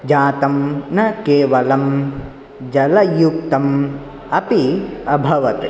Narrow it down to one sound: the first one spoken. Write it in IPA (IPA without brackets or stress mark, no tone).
d͡ʒ